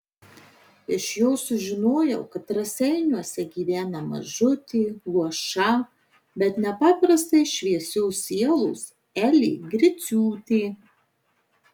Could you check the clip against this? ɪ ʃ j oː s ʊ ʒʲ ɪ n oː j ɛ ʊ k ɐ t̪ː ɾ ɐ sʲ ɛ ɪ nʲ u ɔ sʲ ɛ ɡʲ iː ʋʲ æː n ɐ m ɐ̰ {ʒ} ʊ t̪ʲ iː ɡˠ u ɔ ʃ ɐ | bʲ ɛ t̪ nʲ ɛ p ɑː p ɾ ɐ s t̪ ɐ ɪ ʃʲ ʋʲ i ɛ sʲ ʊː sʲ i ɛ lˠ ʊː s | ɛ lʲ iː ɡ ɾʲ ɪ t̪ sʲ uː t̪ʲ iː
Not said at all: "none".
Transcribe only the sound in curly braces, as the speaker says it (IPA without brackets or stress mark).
ʒ